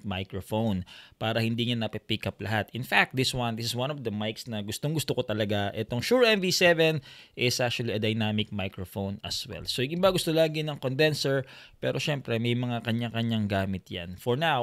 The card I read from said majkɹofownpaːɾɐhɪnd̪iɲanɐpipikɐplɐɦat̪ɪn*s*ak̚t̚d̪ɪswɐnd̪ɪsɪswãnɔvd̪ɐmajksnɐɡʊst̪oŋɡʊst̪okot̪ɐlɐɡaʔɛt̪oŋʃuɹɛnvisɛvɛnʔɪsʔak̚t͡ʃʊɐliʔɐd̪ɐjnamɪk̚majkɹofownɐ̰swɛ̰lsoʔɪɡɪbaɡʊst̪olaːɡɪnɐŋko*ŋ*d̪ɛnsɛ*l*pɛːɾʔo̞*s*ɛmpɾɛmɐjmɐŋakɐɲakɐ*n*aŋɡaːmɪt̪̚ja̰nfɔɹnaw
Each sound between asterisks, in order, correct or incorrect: incorrect, incorrect, incorrect, incorrect, incorrect

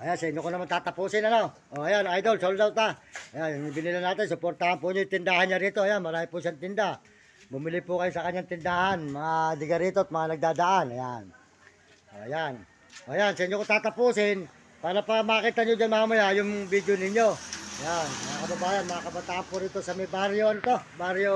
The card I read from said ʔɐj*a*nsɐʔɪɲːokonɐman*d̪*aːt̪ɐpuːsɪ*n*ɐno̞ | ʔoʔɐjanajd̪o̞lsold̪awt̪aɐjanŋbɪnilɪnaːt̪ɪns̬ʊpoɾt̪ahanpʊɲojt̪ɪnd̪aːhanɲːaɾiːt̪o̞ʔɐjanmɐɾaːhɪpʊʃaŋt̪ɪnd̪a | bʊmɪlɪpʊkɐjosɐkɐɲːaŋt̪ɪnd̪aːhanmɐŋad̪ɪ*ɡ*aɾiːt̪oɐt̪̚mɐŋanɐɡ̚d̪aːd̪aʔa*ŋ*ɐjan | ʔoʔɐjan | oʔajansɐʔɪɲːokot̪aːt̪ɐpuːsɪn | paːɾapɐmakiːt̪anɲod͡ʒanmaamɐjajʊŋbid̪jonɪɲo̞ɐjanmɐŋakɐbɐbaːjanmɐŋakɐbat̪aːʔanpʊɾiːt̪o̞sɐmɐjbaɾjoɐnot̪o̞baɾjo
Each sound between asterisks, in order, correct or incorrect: correct, incorrect, correct, correct, incorrect

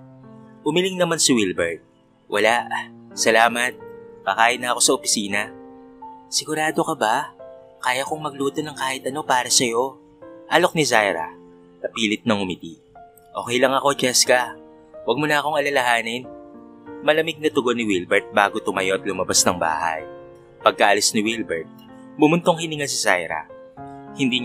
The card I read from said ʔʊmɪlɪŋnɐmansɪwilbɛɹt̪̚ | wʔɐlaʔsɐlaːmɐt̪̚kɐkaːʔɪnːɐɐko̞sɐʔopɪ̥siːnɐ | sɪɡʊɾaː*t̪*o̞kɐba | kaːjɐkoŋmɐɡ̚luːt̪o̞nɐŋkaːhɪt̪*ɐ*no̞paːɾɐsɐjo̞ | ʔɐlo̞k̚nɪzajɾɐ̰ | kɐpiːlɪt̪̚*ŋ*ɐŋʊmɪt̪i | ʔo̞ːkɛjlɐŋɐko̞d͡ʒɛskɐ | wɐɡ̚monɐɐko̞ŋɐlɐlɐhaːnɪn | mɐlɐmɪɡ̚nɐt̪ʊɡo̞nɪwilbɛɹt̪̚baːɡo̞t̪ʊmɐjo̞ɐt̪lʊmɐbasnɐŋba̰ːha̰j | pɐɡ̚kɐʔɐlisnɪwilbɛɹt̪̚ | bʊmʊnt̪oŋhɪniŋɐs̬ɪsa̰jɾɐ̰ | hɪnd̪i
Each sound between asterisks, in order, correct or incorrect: incorrect, correct, incorrect

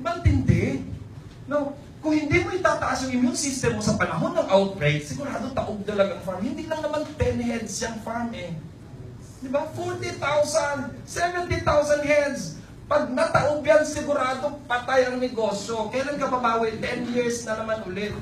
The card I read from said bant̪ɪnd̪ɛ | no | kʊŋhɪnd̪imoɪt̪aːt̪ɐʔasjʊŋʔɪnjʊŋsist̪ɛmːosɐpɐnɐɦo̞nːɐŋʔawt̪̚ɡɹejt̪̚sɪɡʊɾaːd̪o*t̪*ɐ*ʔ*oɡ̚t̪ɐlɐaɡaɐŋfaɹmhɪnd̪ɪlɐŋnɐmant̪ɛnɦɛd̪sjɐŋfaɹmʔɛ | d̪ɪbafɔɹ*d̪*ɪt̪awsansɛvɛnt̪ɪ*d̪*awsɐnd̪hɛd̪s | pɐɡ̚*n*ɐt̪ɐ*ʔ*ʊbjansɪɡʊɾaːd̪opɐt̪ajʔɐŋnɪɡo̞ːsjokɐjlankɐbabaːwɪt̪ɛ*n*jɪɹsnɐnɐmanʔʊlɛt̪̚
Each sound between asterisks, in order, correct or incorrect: correct, correct, incorrect, incorrect, correct, correct, correct

